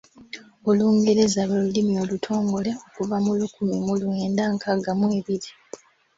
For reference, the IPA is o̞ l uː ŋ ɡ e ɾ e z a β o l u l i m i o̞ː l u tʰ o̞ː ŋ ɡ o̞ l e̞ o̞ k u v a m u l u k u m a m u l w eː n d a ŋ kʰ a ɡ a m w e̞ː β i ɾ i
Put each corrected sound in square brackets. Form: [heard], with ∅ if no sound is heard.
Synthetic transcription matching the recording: o̞ l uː ŋ ɡ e ɾ e z a β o l u l i m i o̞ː l u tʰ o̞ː ŋ ɡ o̞ l e̞ o̞ k u v a m u l u k u m [i] m u l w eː n d a ŋ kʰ a ɡ a m w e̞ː β i ɾ i